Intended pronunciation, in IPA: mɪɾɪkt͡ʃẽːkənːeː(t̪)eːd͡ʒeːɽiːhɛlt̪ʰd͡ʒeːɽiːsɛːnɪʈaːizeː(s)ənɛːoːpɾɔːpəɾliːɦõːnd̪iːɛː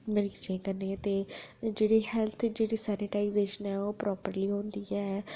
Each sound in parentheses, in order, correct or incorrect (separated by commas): correct, incorrect